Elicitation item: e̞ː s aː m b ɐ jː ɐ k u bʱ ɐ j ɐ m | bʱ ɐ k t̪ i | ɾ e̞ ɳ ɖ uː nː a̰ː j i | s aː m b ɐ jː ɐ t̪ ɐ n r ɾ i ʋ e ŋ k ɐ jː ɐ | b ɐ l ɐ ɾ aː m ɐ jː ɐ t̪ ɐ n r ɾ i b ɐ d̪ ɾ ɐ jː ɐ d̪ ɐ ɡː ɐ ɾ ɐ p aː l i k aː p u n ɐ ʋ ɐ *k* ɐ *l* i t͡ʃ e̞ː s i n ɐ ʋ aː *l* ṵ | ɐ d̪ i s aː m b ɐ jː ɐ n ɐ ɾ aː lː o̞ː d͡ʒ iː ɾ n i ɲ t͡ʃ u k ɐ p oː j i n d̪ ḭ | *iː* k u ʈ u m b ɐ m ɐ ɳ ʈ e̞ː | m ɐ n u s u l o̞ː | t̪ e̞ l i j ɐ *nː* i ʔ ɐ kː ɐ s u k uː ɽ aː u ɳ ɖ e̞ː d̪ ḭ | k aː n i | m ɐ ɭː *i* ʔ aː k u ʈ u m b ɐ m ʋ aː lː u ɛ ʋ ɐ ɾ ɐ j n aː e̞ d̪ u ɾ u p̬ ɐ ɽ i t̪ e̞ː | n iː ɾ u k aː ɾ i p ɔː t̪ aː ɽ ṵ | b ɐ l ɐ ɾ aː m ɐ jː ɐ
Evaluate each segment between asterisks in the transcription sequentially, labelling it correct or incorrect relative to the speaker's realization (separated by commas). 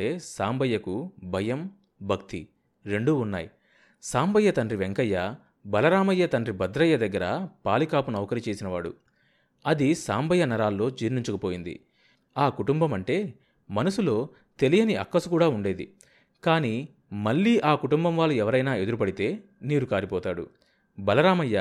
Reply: correct, incorrect, incorrect, incorrect, incorrect, incorrect